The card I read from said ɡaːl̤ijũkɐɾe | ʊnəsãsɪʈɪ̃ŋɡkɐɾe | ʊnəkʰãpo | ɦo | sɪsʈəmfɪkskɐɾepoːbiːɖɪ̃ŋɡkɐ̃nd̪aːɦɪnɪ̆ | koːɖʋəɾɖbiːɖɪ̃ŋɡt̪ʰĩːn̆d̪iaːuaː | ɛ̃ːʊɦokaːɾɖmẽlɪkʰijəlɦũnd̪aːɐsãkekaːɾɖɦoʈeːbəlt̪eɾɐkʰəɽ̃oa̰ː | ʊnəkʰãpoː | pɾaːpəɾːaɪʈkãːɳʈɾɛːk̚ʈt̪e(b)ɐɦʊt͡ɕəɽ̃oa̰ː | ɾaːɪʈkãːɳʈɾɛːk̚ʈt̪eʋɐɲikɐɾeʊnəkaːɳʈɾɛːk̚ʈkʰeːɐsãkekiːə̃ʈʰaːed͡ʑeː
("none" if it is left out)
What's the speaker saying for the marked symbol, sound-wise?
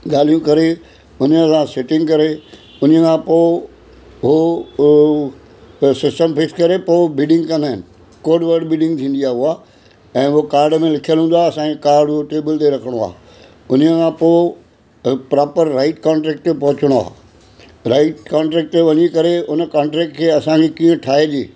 p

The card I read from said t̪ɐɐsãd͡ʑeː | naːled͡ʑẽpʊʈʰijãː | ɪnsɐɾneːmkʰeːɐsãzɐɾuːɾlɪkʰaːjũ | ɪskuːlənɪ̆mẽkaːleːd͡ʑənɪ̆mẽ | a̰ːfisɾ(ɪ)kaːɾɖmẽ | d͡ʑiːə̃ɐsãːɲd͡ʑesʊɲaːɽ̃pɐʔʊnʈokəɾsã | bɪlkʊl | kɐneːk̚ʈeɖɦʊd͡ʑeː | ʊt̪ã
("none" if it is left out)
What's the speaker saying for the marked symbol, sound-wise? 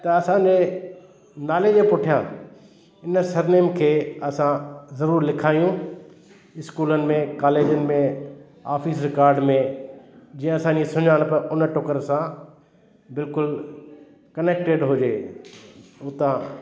ɪ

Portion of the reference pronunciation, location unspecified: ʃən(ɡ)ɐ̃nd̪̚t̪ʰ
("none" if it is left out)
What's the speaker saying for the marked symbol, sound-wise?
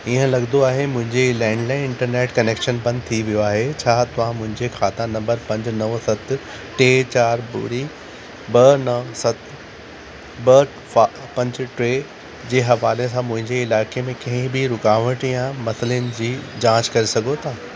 b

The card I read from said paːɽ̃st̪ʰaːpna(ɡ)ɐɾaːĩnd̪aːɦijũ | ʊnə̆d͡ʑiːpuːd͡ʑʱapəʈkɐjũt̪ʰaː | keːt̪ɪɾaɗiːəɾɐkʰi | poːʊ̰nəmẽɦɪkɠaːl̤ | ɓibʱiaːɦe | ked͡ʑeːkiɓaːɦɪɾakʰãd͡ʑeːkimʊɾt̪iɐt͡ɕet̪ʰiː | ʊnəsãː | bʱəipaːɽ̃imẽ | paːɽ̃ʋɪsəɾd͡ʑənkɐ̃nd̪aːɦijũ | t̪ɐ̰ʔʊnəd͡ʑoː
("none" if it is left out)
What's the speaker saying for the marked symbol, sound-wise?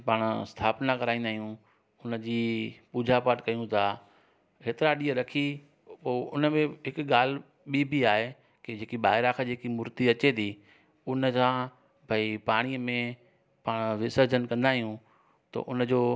k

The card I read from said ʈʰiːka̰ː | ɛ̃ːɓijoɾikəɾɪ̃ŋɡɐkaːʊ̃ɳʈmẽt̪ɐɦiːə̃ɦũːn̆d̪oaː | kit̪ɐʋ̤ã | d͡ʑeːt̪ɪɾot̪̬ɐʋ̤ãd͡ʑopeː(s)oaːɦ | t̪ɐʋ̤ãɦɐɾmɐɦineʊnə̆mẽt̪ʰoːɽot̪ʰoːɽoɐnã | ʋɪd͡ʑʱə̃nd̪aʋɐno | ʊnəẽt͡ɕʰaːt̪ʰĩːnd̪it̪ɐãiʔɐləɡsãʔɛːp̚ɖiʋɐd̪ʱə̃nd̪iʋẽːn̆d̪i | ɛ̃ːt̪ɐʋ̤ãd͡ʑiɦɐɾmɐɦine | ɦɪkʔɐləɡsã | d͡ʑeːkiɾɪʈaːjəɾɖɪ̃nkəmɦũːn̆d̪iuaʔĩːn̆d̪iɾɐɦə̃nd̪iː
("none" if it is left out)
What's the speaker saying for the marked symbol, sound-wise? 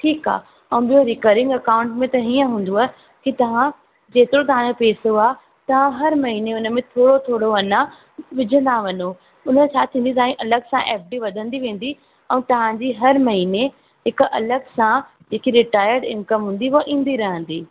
s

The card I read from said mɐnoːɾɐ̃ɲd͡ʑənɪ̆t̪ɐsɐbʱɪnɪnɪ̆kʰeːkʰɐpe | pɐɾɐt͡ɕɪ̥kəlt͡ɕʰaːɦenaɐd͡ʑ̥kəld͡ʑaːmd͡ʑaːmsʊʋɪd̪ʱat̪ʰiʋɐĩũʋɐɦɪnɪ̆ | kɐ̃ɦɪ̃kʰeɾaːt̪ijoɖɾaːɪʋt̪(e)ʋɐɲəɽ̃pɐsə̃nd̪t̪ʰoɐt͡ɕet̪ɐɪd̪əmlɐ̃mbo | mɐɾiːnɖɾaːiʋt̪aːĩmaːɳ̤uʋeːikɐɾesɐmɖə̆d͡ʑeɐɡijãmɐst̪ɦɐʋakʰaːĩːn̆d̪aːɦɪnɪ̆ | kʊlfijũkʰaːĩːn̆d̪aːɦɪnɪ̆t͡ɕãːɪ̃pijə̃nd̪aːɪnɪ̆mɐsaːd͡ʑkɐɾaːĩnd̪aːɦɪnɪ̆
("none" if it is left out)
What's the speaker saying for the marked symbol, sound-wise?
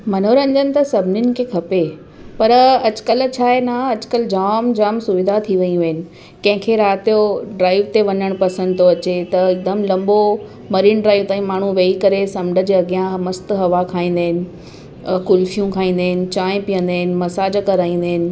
e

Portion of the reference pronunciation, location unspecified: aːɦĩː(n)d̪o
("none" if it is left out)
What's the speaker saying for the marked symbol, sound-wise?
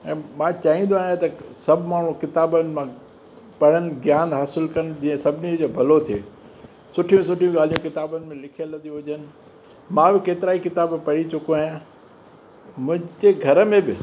n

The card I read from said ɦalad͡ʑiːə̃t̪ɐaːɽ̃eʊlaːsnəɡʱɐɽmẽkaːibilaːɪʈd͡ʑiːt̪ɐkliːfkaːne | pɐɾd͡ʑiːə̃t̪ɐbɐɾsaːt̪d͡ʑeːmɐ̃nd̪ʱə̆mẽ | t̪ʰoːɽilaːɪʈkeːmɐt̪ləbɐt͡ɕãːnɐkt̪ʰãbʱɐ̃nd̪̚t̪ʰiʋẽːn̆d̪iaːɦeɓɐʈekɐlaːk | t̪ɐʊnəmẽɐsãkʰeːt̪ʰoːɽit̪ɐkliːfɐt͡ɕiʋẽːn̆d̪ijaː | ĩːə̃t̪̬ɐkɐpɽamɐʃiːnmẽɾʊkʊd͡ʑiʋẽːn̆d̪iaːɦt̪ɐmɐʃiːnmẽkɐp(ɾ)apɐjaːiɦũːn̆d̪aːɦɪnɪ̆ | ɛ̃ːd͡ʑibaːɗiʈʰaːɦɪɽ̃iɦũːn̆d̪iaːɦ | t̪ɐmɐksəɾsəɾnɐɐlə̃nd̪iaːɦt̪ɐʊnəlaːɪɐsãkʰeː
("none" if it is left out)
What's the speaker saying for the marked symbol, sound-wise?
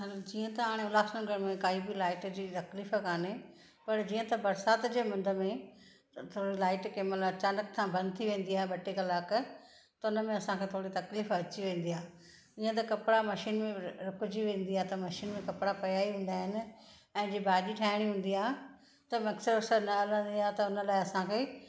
ɽ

